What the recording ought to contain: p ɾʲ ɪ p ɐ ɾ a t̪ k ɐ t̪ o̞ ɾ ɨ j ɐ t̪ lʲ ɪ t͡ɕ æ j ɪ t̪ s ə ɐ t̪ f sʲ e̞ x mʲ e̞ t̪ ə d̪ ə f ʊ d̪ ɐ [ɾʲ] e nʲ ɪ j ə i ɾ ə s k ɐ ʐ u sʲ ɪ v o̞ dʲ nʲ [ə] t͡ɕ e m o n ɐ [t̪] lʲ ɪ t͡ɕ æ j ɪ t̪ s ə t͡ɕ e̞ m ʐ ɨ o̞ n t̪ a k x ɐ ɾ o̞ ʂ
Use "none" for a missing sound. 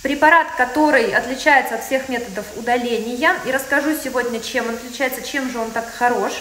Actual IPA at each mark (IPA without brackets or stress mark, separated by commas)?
lʲ, ə, t̪